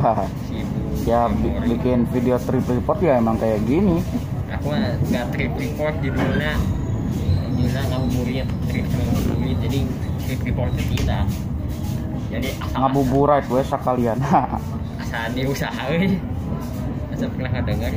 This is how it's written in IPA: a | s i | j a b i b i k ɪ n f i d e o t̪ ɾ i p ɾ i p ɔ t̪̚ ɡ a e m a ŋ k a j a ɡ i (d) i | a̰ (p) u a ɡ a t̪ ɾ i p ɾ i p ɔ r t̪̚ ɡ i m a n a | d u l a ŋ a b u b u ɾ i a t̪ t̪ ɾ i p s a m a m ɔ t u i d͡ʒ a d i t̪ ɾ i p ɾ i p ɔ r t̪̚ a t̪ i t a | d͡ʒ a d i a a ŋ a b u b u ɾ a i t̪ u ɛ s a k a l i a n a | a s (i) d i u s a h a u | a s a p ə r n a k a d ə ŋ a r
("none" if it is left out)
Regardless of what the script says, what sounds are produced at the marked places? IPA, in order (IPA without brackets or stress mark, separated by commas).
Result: n, k, a